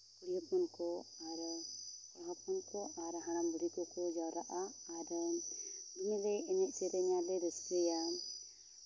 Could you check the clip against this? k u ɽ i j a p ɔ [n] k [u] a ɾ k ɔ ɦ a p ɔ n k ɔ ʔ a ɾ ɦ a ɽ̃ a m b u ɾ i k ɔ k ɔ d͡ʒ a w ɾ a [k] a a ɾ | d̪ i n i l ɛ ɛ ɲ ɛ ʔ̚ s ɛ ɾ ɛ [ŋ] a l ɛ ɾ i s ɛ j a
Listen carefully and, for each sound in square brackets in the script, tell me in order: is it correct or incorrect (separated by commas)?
correct, incorrect, incorrect, incorrect